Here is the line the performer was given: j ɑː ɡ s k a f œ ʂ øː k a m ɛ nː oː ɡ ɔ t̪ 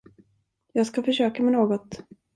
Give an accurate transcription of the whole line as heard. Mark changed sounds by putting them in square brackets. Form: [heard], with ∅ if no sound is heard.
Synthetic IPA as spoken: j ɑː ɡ s k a f œ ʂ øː k a m ɛ [n] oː ɡ ɔ t̪